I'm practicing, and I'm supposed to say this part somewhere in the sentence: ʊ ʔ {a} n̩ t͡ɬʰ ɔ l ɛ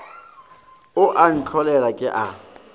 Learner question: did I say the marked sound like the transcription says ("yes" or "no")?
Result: yes